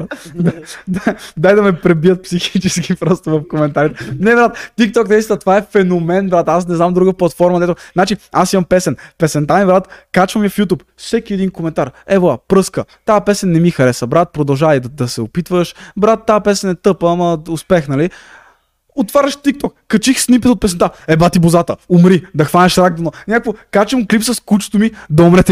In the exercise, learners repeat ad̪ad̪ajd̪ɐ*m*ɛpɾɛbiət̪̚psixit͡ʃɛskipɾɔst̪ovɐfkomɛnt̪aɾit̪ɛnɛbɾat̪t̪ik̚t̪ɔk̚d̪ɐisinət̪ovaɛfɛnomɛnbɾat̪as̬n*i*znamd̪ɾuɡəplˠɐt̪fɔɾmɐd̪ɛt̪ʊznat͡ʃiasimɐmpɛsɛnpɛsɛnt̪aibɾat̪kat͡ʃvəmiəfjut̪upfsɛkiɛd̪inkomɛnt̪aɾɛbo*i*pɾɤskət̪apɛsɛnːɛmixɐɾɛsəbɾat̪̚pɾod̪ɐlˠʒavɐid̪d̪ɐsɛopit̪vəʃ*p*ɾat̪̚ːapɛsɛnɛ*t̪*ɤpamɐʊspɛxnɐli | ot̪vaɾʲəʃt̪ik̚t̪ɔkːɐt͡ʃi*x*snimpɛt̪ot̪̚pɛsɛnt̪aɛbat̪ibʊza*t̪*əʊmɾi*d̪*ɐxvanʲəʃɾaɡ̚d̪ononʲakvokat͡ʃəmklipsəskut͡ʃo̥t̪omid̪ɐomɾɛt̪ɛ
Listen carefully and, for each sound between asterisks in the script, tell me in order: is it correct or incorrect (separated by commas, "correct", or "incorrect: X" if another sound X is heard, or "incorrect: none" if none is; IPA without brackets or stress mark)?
correct, incorrect: ɛ, incorrect: a, incorrect: b, correct, correct, correct, correct